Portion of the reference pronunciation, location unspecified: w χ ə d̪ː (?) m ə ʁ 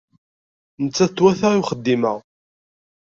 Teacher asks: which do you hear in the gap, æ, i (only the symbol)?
i